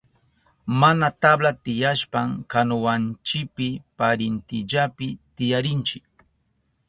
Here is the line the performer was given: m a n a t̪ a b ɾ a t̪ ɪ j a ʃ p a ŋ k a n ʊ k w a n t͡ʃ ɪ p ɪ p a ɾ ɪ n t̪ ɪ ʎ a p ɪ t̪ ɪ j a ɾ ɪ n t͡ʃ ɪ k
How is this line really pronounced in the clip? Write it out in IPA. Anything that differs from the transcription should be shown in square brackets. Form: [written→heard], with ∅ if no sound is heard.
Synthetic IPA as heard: m a n a t̪ a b [ɾ→l] a t̪ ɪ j a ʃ p a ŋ k a n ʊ [k→∅] w a n t͡ʃ ɪ p ɪ p a ɾ ɪ n t̪ ɪ ʎ a p ɪ t̪ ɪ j a ɾ ɪ n t͡ʃ ɪ k

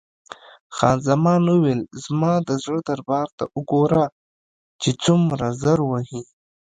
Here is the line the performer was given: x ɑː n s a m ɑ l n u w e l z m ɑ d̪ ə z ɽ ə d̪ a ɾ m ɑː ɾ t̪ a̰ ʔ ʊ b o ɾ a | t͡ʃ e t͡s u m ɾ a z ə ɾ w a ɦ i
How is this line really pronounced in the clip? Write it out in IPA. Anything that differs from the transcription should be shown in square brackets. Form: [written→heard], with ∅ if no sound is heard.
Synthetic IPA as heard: x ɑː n [s→z] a m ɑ [l→∅] n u w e l z m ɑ d̪ ə z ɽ ə d̪ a ɾ [m→b] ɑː ɾ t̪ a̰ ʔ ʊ [b→ɡ] o ɾ a | t͡ʃ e t͡s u m ɾ a z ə ɾ w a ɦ i

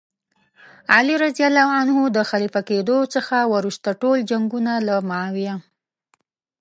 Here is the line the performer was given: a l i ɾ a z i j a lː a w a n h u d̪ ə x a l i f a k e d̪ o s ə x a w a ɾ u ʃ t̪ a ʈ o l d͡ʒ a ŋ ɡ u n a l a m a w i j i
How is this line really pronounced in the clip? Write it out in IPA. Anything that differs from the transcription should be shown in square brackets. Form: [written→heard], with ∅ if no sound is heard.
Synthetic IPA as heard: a l i ɾ a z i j a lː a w a n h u d̪ ə x a l i f a k e d̪ o [s→t͡s] ə x a w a ɾ u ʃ t̪ a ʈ o l d͡ʒ a ŋ ɡ u n a l a m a w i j [i→a]

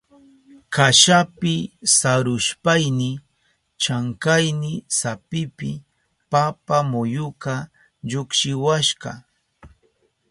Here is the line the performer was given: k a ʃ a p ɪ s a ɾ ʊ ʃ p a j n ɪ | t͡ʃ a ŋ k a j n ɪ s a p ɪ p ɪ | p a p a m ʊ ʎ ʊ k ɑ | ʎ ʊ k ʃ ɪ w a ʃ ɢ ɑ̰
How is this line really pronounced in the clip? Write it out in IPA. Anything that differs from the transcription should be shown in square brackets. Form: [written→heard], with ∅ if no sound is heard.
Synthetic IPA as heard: k a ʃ a p ɪ s a ɾ ʊ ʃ p a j n ɪ | t͡ʃ a ŋ k a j n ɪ s a p ɪ p ɪ | p a p a m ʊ [ʎ→j] ʊ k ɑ | ʎ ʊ k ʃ ɪ w a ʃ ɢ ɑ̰

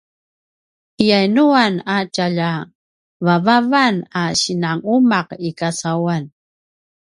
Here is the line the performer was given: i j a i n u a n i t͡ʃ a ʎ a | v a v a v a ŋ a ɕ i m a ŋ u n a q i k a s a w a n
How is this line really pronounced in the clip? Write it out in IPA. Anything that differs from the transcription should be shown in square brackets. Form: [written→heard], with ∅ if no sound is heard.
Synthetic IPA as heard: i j a [i→j] n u a n [i→a] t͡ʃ a ʎ a | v a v a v a [ŋ→n] a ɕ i [m→n] a ŋ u [n→m] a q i k a s a w a n

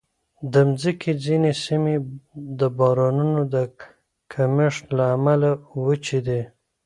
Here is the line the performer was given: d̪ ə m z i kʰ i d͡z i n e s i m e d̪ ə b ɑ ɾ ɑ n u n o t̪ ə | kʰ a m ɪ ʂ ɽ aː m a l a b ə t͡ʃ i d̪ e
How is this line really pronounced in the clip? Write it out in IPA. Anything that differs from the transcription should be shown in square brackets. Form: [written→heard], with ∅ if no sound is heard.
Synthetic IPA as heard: d̪ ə m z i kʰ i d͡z i n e s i m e d̪ ə b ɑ ɾ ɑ n u n o [t̪→d̪] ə | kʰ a m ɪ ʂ [ɽ→l] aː m a l a [b→w] ə t͡ʃ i d̪ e

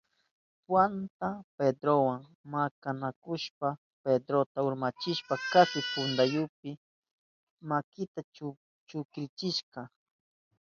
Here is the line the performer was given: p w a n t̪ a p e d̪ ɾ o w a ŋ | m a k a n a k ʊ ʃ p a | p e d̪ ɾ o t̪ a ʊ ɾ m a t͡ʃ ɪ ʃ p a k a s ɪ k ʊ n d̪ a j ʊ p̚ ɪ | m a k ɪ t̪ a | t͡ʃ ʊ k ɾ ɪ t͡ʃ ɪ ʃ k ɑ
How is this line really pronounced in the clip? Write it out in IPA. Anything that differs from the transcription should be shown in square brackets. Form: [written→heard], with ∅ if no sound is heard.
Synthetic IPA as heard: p w a n t̪ a p e d̪ ɾ o w a ŋ | m a k a n a k ʊ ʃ p a | p e d̪ ɾ o t̪ a ʊ ɾ m a t͡ʃ ɪ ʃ p a k a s ɪ [k→p] ʊ n d̪ a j ʊ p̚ ɪ | m a k ɪ t̪ a | t͡ʃ ʊ k ɾ ɪ t͡ʃ ɪ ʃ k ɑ

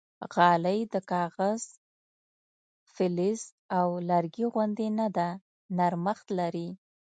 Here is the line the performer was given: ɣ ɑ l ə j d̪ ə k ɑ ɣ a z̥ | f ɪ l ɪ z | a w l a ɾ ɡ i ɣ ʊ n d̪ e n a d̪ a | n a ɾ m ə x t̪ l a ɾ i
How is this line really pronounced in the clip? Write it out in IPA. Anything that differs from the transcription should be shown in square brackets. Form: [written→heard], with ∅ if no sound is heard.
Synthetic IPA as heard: ɣ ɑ l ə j d̪ ə k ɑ ɣ a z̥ | f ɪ l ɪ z | a w l a ɾ ɡ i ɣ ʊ n d̪ e n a d̪ a | n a ɾ m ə x t̪ l a ɾ i

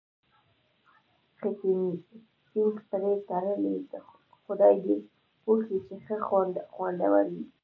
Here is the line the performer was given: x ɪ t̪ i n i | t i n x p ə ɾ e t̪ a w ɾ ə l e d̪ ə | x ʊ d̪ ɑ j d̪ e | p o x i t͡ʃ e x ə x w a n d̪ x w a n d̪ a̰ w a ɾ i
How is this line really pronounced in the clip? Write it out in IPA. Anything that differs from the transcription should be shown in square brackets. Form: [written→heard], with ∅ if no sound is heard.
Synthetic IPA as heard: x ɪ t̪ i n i | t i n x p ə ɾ e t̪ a [w→∅] ɾ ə l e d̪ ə | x ʊ d̪ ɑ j d̪ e | p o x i t͡ʃ e x ə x w a n d̪ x w a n d̪ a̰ w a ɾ i

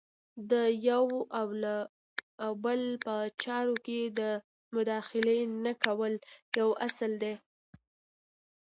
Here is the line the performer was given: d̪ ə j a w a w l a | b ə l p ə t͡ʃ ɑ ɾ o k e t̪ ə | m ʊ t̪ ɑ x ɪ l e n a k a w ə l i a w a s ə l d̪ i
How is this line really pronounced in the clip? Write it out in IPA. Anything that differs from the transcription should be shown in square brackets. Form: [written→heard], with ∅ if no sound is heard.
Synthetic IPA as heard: d̪ ə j a w a w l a | b ə l p ə t͡ʃ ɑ ɾ o k e [t̪→d̪] ə | m ʊ [t̪→d̪] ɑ x ɪ l e n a k a w ə l [i→j] a w a s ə l d̪ [i→e]

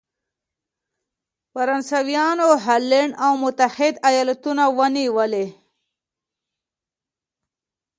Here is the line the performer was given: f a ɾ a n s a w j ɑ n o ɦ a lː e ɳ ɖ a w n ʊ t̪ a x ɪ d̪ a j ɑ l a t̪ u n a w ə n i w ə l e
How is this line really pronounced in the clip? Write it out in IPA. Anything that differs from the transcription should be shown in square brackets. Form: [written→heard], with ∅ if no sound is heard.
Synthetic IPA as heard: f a ɾ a n s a w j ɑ n o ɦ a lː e ɳ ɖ a w [n→m] ʊ t̪ a [x→h] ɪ d̪ a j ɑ l a t̪ u n a w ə n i w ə l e

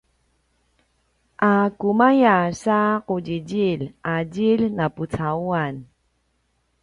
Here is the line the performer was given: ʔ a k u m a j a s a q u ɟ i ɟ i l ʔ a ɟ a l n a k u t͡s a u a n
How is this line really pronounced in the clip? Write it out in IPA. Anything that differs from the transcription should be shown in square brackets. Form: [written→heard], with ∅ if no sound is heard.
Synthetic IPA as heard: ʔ a k u m a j a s a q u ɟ i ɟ i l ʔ a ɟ [a→i] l n a [k→p] u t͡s a u a n

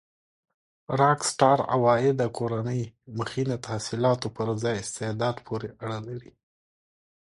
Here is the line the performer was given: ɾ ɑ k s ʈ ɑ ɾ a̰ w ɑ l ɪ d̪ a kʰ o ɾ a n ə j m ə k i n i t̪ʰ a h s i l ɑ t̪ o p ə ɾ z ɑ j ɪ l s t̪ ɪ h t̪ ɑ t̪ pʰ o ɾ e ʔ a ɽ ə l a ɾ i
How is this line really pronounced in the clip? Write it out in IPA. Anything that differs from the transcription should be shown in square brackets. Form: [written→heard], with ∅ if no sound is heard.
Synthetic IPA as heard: ɾ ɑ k s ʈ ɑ ɾ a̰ w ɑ [l→∅] ɪ d̪ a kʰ o ɾ a n ə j m ə [k→x] i n [i→a] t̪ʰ a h s i l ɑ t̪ o p ə ɾ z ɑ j ɪ [l→∅] s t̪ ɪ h [t̪→d̪] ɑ [t̪→d̪] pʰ o ɾ e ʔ a ɽ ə l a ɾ i

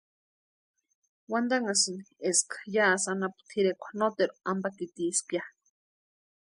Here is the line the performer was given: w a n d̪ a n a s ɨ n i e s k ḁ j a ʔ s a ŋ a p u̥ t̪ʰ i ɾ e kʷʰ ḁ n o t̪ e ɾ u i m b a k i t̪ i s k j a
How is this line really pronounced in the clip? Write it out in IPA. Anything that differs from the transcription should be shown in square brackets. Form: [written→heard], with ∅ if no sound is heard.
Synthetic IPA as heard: w a n d̪ a [n→ŋ] a s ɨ n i e s k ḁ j a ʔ s a [ŋ→n] a p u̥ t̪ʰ i ɾ e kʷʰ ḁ n o t̪ e ɾ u [i→a] m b a k i t̪ i s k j a

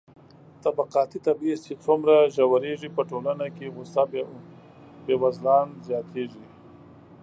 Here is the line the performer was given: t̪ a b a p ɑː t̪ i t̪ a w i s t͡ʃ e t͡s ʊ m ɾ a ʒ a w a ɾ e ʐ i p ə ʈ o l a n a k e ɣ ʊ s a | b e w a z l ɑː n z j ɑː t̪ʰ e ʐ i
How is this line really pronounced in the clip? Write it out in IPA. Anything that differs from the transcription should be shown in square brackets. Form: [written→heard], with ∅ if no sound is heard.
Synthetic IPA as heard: t̪ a b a [p→q] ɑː t̪ i t̪ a [w→b] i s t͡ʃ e t͡s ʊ m ɾ a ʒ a w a ɾ e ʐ i p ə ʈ o l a n a k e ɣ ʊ s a | b e w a z l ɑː n z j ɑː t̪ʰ e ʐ i

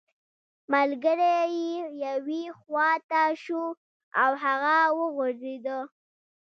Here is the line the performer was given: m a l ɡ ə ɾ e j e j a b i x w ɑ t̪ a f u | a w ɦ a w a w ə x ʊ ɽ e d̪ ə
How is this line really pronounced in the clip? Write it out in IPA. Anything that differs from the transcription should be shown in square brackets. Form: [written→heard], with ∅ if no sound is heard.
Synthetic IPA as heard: m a l ɡ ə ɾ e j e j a [b→w] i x w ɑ t̪ a [f→ʃ] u | a w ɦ a [w→ɣ] a w ə [x→ɣ] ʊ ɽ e d̪ ə

